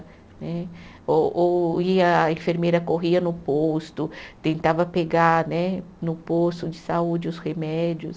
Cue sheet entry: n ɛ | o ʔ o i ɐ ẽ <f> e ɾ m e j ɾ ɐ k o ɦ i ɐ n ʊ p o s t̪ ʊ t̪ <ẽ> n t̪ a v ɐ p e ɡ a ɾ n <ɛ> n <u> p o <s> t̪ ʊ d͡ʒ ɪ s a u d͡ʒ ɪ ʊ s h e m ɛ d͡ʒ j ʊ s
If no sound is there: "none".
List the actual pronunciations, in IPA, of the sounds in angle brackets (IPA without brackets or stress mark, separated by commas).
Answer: f, ẽ, ɛ, ʊ, s